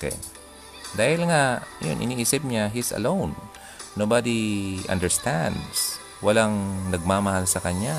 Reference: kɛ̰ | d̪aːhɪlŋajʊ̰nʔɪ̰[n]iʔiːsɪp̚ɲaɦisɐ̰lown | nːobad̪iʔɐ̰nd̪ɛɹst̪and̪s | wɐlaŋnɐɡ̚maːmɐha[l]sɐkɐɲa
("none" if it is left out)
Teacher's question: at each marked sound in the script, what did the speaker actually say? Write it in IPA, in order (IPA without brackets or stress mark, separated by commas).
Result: n, l